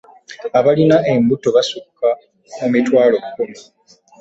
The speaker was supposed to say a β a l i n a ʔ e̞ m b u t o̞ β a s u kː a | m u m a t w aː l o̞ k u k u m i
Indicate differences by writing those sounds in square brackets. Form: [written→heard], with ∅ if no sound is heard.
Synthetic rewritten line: a β a l i n a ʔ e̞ m b u t o̞ β a s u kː a | m u m [a→i] t w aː l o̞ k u k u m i